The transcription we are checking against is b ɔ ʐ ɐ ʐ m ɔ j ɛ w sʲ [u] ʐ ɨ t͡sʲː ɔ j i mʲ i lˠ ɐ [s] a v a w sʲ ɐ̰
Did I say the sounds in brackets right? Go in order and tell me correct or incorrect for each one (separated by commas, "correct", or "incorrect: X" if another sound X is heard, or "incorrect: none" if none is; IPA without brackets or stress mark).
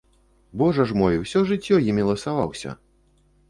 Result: incorrect: ɔ, correct